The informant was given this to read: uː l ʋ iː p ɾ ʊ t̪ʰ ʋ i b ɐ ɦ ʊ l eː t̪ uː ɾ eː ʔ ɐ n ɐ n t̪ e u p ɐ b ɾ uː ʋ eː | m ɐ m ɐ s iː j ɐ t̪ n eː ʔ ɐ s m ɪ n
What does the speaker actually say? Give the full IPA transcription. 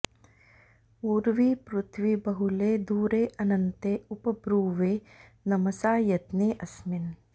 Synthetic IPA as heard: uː ɾ ʋ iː p ɾ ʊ t̪ʰ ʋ i b ɐ ɦ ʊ l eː d̪ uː ɾ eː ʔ ɐ n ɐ n t̪ e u p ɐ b ɾ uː ʋ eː | n ɐ m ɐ s aː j ɐ t̪ n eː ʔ ɐ s m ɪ n